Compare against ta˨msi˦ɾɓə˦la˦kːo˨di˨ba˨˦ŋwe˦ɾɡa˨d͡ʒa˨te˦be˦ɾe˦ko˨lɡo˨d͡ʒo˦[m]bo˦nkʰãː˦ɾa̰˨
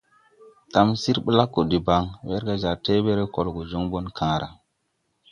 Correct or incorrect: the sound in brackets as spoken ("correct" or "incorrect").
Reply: incorrect